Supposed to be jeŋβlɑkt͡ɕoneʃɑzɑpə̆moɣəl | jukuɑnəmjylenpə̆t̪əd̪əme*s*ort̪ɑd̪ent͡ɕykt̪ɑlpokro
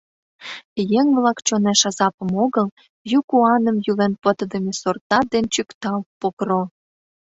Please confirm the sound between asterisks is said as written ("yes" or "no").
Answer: yes